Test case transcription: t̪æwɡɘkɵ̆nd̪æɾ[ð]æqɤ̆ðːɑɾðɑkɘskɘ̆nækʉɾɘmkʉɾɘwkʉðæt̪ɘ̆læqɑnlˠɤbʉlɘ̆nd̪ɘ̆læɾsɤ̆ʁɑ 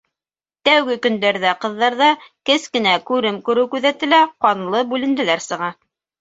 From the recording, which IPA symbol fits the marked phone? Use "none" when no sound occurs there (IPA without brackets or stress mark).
ð